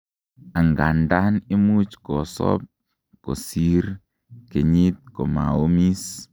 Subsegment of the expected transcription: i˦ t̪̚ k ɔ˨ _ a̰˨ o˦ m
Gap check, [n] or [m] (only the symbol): m